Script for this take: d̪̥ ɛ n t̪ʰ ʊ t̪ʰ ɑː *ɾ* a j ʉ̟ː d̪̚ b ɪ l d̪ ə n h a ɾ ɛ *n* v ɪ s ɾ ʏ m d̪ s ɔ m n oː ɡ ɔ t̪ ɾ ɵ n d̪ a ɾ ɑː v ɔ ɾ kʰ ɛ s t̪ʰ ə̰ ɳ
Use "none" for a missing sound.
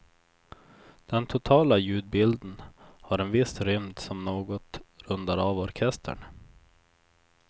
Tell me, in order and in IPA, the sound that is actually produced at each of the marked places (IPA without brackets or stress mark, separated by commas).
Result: l, n